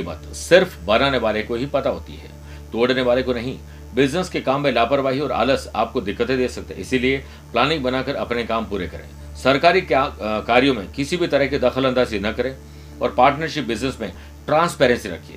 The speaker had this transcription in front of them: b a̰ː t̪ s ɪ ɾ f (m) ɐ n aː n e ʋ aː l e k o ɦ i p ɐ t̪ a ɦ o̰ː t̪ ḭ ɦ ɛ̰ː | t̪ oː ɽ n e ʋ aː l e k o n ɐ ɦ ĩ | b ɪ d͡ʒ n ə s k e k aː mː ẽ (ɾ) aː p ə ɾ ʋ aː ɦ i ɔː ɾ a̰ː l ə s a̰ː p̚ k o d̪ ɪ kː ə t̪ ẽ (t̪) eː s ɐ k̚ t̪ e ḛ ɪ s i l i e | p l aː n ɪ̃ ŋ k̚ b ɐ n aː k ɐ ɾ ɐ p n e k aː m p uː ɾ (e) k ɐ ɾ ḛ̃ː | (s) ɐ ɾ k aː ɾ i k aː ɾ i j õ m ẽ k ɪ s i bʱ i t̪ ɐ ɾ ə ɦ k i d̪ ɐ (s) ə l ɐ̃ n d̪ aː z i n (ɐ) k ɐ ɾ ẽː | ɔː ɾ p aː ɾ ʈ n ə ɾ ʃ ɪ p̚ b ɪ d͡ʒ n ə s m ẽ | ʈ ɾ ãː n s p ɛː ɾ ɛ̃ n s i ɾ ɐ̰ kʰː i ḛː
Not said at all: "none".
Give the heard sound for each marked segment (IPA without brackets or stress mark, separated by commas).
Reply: b, l, d̪, e, s, x, ɐ